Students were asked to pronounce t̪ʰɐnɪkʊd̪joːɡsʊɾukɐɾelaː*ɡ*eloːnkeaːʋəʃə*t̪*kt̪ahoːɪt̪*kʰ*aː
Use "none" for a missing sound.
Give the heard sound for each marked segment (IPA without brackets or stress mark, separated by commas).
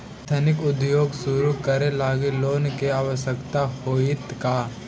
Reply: ɡ, none, k